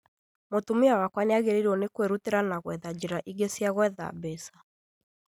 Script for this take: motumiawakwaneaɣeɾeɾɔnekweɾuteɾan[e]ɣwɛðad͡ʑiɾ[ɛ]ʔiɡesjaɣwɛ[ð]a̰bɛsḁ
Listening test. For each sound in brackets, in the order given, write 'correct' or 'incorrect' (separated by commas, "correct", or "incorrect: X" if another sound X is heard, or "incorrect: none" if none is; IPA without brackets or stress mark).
incorrect: a, incorrect: a, correct